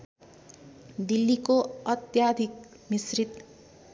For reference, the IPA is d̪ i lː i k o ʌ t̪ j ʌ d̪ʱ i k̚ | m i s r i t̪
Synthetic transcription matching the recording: d̪ i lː i k o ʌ t̪ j a d̪ʱ i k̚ | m i s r i t̪